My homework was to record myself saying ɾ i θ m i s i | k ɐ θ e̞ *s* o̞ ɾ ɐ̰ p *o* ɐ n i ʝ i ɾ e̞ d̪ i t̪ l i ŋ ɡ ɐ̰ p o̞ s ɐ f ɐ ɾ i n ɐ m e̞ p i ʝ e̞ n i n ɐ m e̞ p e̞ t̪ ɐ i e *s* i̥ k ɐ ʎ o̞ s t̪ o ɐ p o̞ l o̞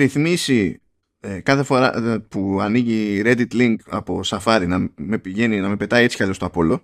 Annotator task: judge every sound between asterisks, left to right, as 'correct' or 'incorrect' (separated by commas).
incorrect, incorrect, incorrect